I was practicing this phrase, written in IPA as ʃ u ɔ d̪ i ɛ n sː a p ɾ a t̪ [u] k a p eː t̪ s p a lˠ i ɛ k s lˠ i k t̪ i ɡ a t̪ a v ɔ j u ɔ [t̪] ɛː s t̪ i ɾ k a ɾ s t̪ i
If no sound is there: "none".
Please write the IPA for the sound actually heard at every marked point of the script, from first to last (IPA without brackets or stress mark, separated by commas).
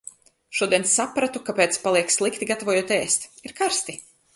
u, t̪